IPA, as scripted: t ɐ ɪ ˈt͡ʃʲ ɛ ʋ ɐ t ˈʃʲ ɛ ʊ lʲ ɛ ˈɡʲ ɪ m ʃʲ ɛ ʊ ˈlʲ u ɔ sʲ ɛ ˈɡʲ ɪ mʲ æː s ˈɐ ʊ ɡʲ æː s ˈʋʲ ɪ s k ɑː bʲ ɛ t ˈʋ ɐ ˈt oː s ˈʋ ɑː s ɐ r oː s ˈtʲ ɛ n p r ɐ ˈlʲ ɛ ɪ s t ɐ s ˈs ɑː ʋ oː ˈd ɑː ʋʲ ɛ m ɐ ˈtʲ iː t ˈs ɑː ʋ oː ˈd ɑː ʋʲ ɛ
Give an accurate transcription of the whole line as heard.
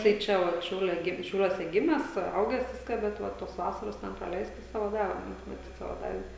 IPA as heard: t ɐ ɪ ˈt͡ʃʲ ɛ ʋ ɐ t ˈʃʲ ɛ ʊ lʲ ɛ ˈɡʲ ɪ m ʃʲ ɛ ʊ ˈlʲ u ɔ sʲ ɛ ˈɡʲ ɪ mʲ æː s ˈɐ ʊ ɡʲ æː s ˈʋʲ ɪ s k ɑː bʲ ɛ t ˈʋ ɐ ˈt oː s ˈʋ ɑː s ɐ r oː s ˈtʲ ɛ n p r ɐ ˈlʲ ɛ ɪ s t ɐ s ˈs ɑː ʋ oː ˈd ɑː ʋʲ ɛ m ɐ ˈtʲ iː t ˈs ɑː ʋ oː ˈd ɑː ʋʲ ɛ